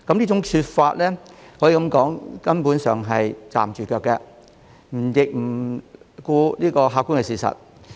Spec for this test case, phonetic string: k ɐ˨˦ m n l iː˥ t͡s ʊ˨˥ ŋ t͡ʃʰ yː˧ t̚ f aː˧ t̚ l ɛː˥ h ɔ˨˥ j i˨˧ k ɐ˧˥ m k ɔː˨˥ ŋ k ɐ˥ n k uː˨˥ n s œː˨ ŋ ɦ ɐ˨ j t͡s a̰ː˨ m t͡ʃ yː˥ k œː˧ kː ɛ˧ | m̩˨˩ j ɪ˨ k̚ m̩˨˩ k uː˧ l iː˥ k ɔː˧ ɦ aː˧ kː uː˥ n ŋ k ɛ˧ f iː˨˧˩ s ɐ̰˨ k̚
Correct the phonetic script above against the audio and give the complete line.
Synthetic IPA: k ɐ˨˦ m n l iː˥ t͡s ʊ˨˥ ŋ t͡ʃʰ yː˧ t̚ f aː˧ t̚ l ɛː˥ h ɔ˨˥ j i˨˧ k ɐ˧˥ m k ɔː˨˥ ŋ k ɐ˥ n p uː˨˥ n s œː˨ ŋ ɦ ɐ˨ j t͡s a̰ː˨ m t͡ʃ yː˨ k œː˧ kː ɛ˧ | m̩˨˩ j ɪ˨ k̚ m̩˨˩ k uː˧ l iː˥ k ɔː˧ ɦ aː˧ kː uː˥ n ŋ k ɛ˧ s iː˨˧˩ s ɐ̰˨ t̚